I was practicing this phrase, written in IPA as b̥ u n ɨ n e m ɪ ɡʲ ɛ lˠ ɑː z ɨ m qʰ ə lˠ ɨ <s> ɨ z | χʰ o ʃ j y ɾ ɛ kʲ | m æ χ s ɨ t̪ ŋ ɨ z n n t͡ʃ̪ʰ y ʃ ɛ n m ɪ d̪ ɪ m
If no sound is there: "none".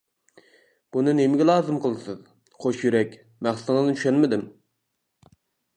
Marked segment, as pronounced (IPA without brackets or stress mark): s